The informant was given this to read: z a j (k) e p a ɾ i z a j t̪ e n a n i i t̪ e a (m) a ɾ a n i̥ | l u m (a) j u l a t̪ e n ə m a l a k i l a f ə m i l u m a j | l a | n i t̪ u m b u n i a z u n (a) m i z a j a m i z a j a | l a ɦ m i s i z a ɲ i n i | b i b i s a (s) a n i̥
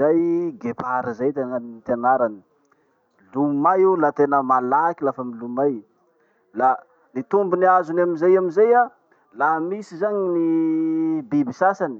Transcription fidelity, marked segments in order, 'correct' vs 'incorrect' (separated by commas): incorrect, incorrect, correct, correct, correct